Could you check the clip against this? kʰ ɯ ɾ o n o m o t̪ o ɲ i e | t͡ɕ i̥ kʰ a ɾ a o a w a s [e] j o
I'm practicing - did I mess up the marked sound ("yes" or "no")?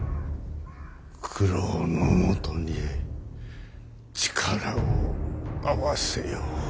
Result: no